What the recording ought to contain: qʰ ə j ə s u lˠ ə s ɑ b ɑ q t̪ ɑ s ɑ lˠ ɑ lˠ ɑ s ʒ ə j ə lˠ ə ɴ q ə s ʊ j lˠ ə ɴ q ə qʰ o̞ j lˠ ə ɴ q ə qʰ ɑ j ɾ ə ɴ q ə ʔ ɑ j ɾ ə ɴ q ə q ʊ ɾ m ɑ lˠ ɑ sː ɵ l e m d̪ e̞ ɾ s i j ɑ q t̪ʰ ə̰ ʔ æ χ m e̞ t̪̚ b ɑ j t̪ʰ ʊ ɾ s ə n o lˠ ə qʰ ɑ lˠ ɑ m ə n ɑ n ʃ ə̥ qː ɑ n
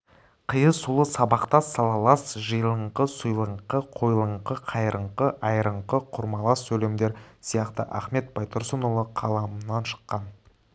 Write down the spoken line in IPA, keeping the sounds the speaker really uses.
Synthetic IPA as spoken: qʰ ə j ə s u lˠ ə s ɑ b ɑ q t̪ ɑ s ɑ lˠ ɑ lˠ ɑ s ʒ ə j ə lˠ ə ɴ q ə s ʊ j lˠ ə ɴ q ə qʰ o̞ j lˠ ə ɴ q ə qʰ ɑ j ɾ ə ɴ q ə ʔ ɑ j ɾ ə ɴ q ə qʰ ʊ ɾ m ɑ lˠ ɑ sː ɵ l e m d̪ e̞ ɾ s i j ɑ q t̪ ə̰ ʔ æ χ m e̞ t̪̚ b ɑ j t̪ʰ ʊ ɾ s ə n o lˠ ə qʰ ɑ lˠ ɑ m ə n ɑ n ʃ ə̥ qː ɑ n

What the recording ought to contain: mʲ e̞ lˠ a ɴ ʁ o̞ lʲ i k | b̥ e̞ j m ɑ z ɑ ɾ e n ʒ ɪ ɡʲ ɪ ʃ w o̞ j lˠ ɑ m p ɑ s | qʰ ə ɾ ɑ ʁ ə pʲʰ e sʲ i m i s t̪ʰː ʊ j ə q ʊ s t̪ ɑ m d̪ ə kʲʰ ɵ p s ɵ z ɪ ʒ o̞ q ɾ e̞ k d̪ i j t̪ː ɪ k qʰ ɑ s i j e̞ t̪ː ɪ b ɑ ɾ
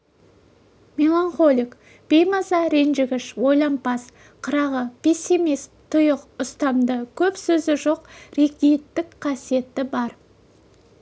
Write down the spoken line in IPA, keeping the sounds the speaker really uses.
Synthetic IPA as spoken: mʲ e̞ lˠ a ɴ χ o̞ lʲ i k | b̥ e̞ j m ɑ z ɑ ɾ e n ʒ ɪ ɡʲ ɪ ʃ w o̞ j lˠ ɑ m p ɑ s | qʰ ə ɾ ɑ ʁ ə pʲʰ e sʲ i m i s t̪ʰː ʊ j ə q ʊ s t̪ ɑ m d̪ ə kʲʰ ɵ p s ɵ z ɪ ʒ o̞ q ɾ e̞ k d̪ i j t̪ː ɪ k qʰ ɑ s i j e̞ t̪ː ɪ b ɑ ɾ

